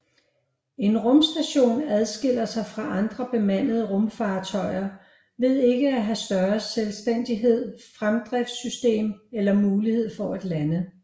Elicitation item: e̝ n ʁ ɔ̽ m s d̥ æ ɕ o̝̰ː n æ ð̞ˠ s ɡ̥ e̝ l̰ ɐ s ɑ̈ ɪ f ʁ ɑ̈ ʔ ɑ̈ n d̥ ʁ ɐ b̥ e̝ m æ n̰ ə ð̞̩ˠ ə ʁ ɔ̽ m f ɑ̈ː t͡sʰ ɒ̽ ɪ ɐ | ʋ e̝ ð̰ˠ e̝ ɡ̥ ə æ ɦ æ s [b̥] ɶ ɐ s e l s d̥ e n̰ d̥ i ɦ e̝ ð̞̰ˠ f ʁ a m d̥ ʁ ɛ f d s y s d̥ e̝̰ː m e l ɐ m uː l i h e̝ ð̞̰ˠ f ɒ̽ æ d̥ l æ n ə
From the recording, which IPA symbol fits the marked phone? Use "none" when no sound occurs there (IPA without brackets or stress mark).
d̥